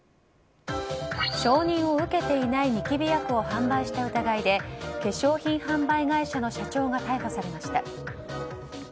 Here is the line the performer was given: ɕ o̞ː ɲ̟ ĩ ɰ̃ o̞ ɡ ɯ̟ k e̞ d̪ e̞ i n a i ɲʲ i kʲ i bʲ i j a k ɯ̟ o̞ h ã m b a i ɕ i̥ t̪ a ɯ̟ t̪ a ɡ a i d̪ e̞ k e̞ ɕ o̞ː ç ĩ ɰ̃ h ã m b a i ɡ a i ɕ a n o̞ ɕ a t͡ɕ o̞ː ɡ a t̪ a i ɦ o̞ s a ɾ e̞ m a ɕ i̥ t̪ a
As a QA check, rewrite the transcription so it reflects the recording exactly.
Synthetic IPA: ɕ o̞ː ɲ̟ ĩ ɰ̃ o̞ ɯ̟ k e̞ t̪ e̞ i n a i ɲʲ i kʲ i bʲ i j a k ɯ̟ o̞ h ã m b a i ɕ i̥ t̪ a ɯ̟ t̪ a ɡ a i d̪ e̞ k e̞ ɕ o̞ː ç ĩ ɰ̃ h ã m b a i ɡ a i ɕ a n o̞ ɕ a t͡ɕ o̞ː ɡ a t̪ a i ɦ o̞ s a ɾ e̞ m a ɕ i̥ t̪ a